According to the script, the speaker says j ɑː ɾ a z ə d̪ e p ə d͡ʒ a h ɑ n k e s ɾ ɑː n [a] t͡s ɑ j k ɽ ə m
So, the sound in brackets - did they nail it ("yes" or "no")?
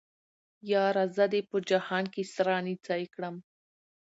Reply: no